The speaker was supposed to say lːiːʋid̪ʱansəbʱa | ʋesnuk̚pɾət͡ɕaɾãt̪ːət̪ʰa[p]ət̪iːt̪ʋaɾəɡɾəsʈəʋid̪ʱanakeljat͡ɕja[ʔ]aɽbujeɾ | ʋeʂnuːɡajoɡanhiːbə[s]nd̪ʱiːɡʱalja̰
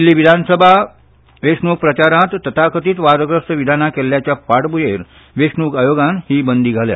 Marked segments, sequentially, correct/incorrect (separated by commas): incorrect, incorrect, incorrect